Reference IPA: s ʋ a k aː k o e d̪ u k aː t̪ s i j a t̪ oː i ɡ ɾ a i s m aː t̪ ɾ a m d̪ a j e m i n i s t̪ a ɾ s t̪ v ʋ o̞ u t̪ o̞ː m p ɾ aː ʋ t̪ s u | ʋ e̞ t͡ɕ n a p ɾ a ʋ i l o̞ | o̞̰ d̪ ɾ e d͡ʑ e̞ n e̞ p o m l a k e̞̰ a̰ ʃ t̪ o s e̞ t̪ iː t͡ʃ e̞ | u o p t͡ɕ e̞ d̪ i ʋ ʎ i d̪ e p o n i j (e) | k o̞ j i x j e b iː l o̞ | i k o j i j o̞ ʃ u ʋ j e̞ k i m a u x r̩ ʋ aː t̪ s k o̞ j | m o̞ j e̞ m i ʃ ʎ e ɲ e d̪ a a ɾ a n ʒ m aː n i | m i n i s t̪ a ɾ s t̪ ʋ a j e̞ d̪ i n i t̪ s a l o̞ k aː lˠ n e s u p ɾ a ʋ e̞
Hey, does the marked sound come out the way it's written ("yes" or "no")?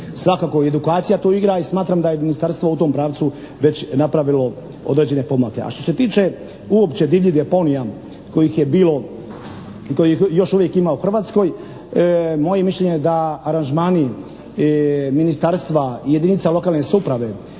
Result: no